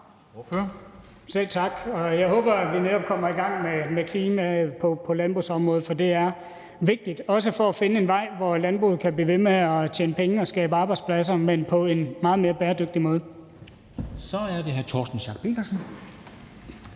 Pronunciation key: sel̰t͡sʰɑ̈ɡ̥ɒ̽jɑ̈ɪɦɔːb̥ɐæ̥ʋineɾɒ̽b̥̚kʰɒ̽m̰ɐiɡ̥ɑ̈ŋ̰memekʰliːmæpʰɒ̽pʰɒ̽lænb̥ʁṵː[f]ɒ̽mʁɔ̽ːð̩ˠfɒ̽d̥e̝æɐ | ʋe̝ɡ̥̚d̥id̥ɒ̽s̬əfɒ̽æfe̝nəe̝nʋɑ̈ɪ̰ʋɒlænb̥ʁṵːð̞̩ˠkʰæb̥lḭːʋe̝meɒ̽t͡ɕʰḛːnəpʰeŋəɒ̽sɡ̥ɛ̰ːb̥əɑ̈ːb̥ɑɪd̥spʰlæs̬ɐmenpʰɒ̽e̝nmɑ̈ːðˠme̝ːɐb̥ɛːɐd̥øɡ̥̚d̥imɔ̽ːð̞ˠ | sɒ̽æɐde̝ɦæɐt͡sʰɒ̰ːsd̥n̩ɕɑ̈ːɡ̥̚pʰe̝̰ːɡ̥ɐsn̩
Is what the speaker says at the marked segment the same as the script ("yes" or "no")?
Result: no